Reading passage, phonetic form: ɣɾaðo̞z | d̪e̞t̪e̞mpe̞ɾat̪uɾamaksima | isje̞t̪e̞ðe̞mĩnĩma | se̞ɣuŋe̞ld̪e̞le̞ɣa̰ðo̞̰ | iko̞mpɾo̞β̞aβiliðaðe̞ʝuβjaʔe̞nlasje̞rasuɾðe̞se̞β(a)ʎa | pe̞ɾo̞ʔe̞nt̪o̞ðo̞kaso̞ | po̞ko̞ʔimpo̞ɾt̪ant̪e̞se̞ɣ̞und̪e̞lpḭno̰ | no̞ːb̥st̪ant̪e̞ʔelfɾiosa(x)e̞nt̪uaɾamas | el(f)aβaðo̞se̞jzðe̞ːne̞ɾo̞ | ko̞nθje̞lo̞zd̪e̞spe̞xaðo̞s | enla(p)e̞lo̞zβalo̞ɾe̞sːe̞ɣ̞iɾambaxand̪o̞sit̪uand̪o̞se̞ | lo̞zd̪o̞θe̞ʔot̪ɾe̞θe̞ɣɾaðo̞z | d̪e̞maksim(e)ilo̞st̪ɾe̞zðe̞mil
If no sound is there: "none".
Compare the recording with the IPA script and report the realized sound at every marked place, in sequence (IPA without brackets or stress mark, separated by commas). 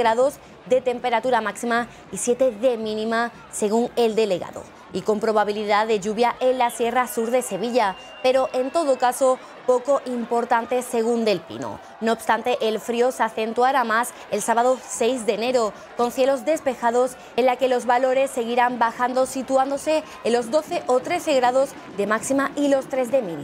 i, θ, s, k, a